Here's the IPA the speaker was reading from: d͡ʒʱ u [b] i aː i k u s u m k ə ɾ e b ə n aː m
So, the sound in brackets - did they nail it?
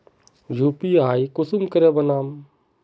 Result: no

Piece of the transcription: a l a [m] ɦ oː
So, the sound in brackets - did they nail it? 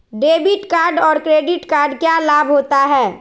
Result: no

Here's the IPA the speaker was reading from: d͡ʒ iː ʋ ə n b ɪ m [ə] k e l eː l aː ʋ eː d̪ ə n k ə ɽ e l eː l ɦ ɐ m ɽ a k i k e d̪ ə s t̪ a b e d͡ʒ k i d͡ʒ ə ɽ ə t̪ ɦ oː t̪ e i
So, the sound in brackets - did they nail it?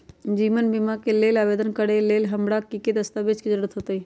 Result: no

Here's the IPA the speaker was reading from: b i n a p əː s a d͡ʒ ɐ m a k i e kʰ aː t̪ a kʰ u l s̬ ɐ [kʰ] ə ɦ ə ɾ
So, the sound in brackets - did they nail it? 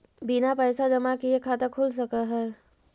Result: no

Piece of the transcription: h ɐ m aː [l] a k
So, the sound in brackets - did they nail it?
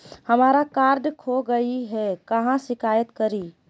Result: no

